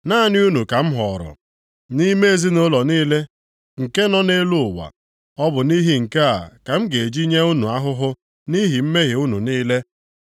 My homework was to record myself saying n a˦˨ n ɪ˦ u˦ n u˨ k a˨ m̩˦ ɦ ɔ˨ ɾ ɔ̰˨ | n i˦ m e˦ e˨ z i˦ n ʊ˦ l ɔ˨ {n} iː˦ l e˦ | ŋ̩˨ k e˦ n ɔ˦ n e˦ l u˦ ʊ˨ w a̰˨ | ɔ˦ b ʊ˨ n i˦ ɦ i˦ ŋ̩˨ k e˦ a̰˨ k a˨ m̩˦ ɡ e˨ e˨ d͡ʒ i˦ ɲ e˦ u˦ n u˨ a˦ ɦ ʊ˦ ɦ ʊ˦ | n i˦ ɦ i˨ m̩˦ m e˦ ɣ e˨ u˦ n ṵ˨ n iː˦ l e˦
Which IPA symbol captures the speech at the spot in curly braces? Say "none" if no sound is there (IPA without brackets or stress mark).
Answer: n